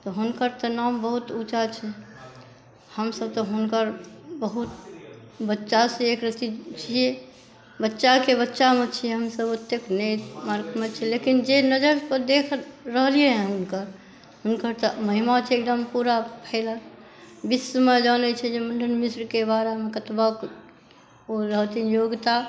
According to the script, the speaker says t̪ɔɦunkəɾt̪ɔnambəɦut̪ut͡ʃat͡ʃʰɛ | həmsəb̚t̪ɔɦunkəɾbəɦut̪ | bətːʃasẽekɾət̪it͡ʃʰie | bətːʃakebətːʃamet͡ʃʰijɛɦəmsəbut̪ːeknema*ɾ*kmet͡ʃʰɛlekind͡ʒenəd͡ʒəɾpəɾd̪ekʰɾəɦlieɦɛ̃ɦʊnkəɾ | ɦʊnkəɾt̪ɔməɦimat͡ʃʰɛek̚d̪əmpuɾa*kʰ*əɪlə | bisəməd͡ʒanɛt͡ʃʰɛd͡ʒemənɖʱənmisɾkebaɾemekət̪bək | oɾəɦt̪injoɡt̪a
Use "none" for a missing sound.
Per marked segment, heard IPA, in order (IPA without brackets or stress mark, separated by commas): ɾ, pʰ